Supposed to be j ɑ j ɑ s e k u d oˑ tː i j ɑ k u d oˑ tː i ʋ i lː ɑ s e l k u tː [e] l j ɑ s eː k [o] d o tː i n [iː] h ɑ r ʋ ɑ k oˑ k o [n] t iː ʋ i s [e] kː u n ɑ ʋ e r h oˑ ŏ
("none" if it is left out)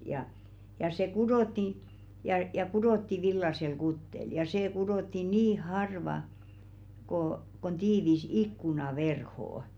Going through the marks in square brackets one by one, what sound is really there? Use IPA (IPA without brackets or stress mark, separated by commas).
e, u, iː, n, i